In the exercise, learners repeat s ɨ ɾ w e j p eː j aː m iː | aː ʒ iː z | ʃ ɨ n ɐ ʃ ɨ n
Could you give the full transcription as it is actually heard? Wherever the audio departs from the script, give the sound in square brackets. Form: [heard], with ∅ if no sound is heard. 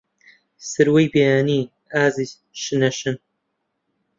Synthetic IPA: s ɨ ɾ w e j [b] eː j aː [n] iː | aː [z] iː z | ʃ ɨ n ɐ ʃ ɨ n

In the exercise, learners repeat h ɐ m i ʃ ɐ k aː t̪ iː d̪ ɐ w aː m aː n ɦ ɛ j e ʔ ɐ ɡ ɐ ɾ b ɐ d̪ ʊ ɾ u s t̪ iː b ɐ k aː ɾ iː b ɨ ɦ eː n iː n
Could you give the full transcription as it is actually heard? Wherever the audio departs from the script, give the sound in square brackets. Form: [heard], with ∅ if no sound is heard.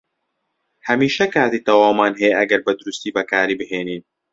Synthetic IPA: h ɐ m [iː] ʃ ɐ k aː t̪ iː [t̪] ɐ w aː m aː n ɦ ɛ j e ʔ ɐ ɡ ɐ ɾ b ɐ d̪ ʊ ɾ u s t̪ iː b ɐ k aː ɾ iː b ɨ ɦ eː n iː n

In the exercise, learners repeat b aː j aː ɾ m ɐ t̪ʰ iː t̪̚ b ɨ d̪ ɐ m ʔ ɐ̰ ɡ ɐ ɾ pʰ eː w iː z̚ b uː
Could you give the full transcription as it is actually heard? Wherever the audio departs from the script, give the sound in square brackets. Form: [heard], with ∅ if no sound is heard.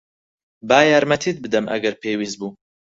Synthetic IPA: b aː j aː ɾ m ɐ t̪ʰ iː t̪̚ b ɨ d̪ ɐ m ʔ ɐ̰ ɡ ɐ ɾ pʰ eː w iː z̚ b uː

